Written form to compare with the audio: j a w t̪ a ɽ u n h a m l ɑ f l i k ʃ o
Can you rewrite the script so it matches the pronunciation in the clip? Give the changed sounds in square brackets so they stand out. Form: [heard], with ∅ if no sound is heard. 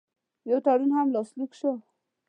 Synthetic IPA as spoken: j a w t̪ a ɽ u n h a m l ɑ [s] l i k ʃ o